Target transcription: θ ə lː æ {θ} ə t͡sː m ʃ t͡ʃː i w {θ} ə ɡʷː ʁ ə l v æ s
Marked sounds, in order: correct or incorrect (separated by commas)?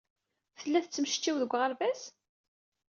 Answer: correct, incorrect